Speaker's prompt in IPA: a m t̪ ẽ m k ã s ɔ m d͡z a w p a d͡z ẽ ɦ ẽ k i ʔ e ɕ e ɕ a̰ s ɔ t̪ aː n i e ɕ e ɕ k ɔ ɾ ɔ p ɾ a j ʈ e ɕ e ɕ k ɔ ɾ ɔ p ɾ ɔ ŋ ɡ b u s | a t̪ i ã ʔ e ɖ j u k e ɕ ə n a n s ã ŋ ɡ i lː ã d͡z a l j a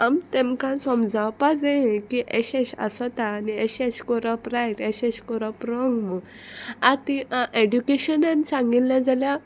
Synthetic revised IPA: a m t̪ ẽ m k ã s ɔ m d͡z a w p a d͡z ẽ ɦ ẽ k i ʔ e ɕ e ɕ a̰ s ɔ t̪ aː n i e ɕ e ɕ k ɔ ɾ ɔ p ɾ a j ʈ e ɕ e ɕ k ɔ ɾ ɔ p ɾ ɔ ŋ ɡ m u | a t̪ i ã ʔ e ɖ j u k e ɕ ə n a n s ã ŋ ɡ i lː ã d͡z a l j a

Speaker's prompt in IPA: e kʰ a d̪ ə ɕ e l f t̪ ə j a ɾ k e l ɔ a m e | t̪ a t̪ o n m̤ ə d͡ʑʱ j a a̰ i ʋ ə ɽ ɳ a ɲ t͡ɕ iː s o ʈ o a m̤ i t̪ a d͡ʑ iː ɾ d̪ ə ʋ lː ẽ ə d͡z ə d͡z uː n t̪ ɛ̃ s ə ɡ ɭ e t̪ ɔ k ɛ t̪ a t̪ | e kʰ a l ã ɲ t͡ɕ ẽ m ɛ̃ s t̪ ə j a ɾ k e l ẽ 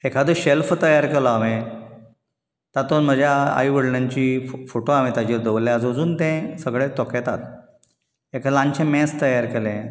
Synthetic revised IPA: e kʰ a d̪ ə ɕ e l f t̪ ə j a ɾ k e l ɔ a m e | t̪ a t̪ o n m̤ ə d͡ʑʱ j a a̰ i ʋ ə ɽ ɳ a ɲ t͡ɕ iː f o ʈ o a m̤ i t̪ a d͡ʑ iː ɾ d̪ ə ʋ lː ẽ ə d͡z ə d͡z uː n t̪ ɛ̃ s ə ɡ ɭ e t̪ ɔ k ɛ t̪ a t̪ | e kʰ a l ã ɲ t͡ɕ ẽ m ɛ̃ s t̪ ə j a ɾ k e l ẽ

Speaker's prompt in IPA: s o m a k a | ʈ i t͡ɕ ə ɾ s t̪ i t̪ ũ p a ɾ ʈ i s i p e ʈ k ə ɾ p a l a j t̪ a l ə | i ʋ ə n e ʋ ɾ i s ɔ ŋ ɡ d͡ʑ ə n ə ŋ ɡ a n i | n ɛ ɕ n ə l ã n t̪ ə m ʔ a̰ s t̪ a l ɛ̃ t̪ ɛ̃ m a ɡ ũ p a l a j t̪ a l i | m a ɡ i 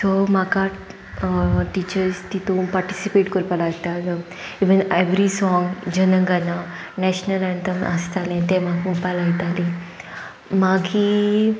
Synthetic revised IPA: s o m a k a | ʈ i t͡ɕ ə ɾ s t̪ i t̪ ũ p a ɾ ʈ i s i p e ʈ k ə ɾ p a l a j t̪ a l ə | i ʋ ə n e ʋ ɾ i s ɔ ŋ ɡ d͡ʑ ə n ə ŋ ɡ a n a | n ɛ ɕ n ə l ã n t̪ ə m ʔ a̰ s t̪ a l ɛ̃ t̪ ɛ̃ m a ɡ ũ p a l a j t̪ a l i | m a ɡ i

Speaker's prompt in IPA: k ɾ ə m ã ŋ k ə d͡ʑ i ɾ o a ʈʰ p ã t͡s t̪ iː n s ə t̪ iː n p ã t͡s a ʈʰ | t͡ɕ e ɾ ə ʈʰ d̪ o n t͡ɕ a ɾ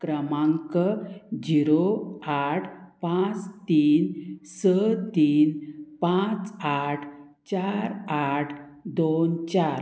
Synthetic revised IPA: k ɾ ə m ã ŋ k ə d͡ʑ i ɾ o a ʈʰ p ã t͡s t̪ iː n s ə t̪ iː n p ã t͡s a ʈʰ | t͡ɕ a ɾ a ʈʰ d̪ o n t͡ɕ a ɾ

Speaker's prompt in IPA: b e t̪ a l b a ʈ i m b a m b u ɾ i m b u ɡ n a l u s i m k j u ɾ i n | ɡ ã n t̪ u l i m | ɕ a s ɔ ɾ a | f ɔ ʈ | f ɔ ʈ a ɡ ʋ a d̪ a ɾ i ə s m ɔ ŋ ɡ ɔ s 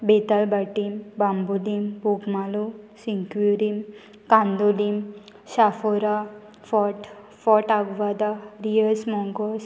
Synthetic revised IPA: b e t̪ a l b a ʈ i m b a m b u l i m b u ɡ m a l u s i ŋ k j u ɾ i m | k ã n d̪ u l i m | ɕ a f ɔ ɾ a | f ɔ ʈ | f ɔ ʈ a ɡ ʋ a d̪ a ɾ i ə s m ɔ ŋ ɡ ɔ s

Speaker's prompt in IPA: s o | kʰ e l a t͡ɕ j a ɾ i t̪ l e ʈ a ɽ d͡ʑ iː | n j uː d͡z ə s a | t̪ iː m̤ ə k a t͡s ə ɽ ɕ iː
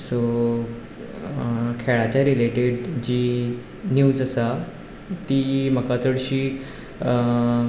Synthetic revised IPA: s o | kʰ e ɭ a t͡ɕ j a ɾ i l e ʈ e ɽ d͡ʑ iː | n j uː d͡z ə s a | t̪ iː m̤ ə k a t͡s ə ɽ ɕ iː

